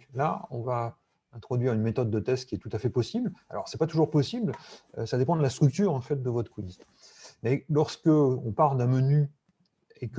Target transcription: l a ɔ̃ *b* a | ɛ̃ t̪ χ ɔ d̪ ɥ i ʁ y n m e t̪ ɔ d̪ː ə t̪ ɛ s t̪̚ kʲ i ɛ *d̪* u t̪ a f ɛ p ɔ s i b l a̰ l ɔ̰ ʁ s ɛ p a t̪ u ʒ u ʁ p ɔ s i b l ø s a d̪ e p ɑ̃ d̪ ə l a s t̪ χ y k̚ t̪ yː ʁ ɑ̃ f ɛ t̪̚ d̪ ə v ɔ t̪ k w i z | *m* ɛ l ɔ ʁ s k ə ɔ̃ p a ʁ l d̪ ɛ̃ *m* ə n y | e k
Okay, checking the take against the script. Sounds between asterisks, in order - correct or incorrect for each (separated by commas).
incorrect, incorrect, correct, correct